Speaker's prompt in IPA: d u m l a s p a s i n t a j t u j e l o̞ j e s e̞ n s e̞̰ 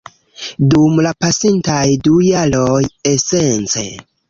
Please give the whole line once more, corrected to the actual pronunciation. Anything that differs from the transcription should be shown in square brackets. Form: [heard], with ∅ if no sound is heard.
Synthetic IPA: d u m l a [∅] p a s i n t a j [d] u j [a] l o̞ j e s e̞ n [t͡s] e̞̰